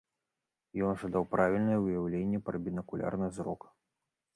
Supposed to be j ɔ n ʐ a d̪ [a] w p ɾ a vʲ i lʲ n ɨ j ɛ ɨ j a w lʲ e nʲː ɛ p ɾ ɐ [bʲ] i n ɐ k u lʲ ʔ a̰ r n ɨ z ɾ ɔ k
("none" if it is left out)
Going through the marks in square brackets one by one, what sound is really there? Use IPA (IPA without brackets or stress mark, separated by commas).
a, bʲ